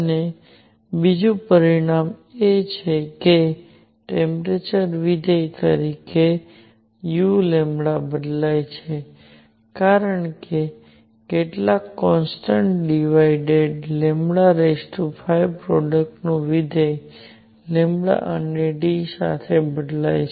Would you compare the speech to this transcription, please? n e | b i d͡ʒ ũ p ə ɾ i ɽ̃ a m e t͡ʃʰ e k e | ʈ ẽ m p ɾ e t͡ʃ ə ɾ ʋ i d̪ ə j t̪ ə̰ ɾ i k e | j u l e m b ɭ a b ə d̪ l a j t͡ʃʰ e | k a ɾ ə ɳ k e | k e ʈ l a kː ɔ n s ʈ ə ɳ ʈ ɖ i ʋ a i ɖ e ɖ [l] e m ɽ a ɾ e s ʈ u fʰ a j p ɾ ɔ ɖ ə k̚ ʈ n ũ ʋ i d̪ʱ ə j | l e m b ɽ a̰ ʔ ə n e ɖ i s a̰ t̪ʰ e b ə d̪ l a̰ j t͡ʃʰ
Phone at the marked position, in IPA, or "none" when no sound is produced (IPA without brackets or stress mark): l